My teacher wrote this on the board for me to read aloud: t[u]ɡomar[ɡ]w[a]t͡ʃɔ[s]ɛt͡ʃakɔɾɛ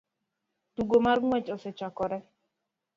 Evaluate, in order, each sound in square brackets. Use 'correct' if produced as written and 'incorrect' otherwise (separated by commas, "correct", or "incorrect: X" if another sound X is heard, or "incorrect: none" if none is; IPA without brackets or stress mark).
correct, incorrect: ŋ, incorrect: ɛ, correct